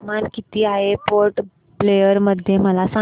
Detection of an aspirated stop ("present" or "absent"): absent